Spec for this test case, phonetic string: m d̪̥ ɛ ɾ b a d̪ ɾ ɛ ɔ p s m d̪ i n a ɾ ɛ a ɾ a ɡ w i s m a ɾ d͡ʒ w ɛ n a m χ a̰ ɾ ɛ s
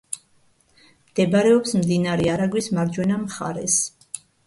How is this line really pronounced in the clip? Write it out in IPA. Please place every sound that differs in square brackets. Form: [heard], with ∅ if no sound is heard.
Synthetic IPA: m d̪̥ ɛ [∅] b a [∅] ɾ ɛ ɔ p s m d̪ i n a ɾ ɛ a ɾ a ɡ w i s m a ɾ d͡ʒ w ɛ n a m χ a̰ ɾ ɛ s